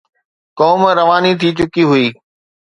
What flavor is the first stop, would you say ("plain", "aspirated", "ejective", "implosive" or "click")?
plain